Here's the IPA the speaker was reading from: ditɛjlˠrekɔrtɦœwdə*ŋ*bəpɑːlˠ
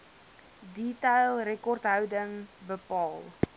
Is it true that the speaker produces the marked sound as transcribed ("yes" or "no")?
yes